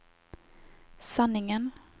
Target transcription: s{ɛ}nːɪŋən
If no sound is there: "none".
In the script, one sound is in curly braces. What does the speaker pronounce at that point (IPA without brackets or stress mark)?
a